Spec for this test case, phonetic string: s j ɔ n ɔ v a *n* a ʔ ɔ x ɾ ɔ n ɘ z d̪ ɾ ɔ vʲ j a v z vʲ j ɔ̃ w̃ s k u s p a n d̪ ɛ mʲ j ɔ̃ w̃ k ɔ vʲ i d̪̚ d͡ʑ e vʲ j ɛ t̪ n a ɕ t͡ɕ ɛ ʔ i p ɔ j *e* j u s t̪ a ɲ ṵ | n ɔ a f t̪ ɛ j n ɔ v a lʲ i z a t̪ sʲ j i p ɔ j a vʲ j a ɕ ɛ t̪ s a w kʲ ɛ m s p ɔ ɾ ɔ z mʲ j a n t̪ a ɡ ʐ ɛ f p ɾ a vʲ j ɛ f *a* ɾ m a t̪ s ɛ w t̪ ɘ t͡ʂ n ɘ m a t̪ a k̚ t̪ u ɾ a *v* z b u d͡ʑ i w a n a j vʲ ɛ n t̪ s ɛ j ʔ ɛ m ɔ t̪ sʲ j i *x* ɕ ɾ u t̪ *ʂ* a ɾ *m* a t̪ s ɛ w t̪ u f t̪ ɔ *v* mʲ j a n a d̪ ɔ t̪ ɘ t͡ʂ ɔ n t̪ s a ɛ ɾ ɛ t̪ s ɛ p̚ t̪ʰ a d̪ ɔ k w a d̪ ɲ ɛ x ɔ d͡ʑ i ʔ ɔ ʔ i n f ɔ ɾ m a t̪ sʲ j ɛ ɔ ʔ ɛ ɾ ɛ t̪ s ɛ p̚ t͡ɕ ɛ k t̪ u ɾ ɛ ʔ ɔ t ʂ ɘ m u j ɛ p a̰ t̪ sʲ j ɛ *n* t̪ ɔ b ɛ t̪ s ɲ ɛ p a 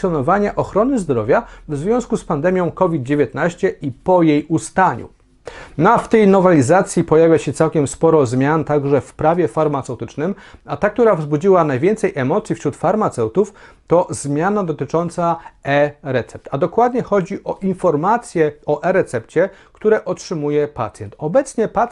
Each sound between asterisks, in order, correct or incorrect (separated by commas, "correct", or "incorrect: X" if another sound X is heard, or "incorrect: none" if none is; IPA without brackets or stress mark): incorrect: ɲ, correct, correct, correct, incorrect: f, incorrect: f, correct, incorrect: z, correct